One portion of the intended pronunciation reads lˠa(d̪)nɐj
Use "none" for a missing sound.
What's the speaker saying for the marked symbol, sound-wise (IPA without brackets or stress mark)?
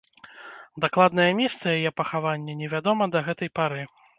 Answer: d̪